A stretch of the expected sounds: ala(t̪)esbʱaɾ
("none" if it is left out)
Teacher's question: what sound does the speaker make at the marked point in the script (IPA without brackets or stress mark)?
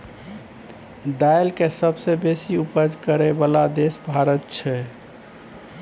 d̪